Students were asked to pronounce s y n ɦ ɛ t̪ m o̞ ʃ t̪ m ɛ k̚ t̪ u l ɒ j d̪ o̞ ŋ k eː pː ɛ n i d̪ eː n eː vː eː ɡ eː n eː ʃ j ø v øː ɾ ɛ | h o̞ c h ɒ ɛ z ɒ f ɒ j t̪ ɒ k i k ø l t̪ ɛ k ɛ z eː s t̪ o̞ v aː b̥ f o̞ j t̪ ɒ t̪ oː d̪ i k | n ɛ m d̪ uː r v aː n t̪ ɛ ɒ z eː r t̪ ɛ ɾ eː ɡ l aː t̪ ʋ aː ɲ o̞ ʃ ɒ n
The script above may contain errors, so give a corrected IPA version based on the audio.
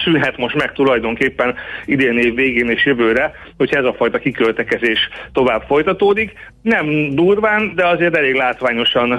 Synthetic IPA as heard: s y n ɦ ɛ t̪ m o̞ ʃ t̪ m ɛ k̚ t̪ u l ɒ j d̪ o̞ ŋ k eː pː ɛ n i d̪ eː n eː vː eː ɡ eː n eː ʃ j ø v øː ɾ ɛ | h o̞ c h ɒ ɛ z ɒ f ɒ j t̪ ɒ k i k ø l t̪ ɛ k ɛ z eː ʃ t̪ o̞ v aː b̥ f o̞ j t̪ ɒ t̪ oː d̪ i k | n ɛ m d̪ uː r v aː n d̪ ɛ ɒ z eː r t̪ ɛ l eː ɡ l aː t̪ ʋ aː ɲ o̞ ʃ ɒ n